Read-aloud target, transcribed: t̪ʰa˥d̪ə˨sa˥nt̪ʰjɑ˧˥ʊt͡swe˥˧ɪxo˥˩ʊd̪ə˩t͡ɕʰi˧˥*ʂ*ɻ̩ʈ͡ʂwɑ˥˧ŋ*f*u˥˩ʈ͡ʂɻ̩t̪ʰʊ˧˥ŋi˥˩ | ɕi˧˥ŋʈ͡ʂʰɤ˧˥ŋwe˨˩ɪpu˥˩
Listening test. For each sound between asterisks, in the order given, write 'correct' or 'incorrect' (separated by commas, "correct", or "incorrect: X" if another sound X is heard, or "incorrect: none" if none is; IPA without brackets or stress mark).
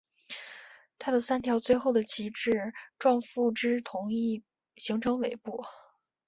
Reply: incorrect: ʈ͡ʂ, correct